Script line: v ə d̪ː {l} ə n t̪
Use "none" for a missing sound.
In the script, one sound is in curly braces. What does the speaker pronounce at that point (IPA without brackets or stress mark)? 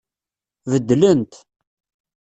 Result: l